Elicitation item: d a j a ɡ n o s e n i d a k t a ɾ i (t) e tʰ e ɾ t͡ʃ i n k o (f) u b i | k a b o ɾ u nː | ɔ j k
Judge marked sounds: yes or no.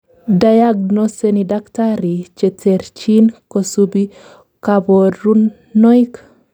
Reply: no, no

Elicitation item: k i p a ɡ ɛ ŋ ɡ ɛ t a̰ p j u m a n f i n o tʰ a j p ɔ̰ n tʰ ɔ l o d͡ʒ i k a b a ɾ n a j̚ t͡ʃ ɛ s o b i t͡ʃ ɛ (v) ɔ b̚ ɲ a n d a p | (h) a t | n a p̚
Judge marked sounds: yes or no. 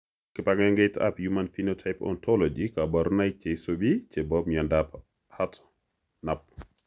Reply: no, yes

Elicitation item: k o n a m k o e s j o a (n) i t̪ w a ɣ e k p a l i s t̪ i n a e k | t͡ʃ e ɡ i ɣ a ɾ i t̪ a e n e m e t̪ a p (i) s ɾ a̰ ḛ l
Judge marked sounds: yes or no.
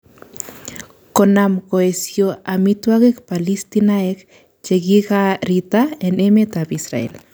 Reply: no, yes

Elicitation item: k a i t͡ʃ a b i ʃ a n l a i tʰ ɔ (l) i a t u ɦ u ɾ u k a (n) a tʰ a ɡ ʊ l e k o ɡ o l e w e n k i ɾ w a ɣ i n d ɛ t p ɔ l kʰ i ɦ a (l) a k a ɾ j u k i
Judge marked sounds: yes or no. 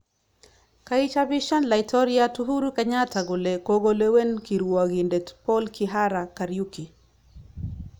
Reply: no, no, no

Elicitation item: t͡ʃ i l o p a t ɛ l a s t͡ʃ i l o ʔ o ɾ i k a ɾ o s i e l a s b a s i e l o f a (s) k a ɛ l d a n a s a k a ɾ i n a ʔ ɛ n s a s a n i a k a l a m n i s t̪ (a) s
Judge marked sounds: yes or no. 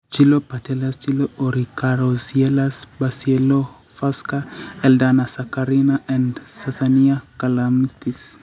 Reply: yes, no

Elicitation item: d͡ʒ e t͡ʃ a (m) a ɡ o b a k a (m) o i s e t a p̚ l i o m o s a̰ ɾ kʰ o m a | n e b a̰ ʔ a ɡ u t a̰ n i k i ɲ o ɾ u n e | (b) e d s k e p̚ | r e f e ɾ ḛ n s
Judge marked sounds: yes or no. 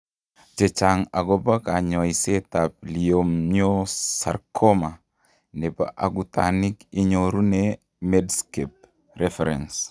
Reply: no, no, no

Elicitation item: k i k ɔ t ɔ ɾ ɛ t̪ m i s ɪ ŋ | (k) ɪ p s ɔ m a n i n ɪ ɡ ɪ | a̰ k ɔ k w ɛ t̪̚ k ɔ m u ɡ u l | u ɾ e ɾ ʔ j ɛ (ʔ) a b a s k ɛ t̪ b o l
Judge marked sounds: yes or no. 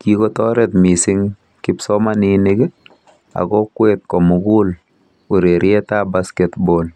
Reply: yes, no

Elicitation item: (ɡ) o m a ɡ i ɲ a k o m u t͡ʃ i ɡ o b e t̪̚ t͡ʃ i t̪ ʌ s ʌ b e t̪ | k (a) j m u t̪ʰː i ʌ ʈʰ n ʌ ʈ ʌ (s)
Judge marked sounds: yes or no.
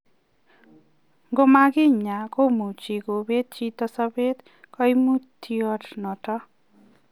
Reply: yes, no, no

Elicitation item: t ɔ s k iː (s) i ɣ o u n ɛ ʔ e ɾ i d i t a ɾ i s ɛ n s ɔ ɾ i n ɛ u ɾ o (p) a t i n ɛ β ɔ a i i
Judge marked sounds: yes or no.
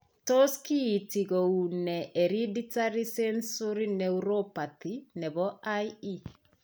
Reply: no, yes

